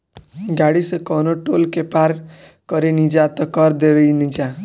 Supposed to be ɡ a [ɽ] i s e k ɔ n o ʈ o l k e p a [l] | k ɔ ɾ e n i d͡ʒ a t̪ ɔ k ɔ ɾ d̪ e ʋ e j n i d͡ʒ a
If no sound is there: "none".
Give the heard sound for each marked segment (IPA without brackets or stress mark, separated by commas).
ɽ, ɾ